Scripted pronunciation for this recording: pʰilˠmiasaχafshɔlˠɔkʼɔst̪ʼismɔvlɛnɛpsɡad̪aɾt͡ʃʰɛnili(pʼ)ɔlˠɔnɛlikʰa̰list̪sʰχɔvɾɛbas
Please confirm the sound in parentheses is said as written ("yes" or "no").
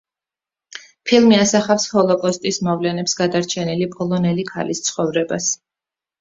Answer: yes